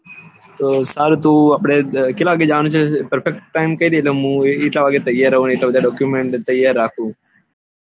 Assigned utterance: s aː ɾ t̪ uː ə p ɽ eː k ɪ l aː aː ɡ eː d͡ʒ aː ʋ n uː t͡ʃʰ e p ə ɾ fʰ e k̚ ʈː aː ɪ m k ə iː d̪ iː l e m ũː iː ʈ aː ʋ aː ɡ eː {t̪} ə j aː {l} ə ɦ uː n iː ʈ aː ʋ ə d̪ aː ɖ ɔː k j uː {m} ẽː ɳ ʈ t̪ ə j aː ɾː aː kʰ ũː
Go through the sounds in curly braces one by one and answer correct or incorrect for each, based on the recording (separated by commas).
correct, incorrect, correct